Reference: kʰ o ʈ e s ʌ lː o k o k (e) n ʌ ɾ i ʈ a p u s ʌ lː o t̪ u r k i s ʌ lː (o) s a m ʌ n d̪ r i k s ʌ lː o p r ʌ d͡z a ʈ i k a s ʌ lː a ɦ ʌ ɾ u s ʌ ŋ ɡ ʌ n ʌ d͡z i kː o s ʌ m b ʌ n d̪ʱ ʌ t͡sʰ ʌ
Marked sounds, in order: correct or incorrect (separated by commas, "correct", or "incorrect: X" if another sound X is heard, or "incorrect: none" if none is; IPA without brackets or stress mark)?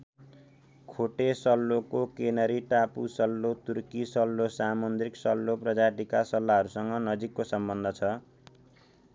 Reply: correct, correct